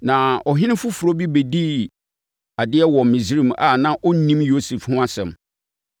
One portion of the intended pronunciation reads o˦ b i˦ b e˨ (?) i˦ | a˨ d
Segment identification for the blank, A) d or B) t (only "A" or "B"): A